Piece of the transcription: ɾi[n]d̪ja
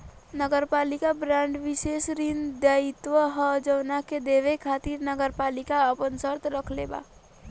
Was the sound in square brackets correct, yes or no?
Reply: yes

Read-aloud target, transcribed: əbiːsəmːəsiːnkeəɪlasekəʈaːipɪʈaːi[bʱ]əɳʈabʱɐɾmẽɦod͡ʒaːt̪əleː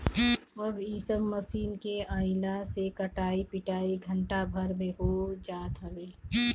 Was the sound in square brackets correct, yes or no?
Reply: no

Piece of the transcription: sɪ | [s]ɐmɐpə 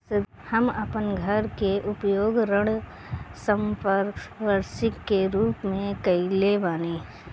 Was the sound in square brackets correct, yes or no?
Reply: no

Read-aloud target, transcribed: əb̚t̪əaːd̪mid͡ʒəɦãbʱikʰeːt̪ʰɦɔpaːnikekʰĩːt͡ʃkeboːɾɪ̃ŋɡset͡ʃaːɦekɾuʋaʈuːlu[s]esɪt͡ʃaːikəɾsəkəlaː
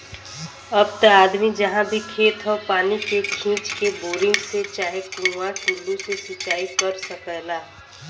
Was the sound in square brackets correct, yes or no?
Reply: yes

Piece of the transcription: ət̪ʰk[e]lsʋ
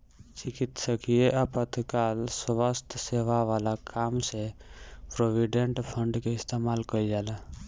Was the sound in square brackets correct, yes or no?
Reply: no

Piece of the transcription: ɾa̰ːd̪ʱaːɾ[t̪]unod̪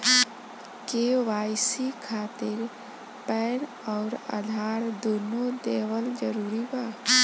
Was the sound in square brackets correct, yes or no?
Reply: no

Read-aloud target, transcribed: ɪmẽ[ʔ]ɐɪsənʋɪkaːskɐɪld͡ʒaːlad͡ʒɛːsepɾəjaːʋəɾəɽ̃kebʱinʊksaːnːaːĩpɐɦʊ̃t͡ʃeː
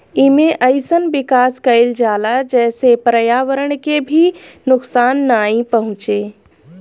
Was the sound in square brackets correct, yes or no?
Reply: yes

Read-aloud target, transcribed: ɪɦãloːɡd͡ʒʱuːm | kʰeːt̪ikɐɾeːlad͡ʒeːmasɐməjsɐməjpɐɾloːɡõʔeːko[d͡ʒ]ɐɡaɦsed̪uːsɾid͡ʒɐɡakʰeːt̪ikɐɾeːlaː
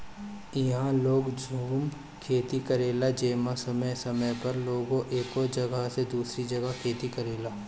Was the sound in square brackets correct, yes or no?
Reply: yes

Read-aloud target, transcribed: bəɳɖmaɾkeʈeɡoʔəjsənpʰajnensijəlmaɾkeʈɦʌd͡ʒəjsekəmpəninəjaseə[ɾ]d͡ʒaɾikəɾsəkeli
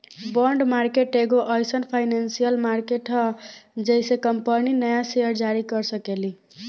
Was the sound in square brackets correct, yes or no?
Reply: yes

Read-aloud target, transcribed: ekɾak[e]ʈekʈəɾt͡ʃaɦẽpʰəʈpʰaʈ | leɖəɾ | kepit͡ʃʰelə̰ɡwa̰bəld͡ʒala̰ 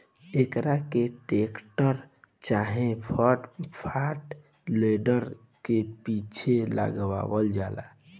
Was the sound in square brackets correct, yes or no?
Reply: yes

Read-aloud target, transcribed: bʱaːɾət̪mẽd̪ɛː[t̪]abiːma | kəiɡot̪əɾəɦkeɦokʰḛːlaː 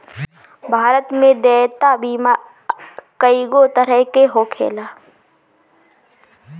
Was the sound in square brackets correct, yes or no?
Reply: yes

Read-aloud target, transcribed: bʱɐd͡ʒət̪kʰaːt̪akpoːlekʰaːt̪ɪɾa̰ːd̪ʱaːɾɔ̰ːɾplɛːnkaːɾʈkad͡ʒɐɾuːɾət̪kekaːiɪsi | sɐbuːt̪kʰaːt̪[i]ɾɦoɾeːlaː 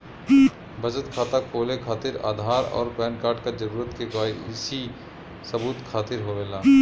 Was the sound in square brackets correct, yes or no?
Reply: no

